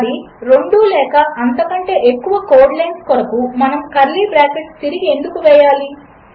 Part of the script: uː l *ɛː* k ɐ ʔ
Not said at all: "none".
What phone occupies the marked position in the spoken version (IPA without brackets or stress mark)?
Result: ɛː